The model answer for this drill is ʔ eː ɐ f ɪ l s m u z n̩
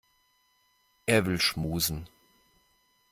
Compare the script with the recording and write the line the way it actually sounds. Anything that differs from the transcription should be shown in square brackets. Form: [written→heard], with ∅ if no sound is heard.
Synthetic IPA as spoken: ʔ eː ɐ [f→v] ɪ l [s→ʃ] m [u→uː] z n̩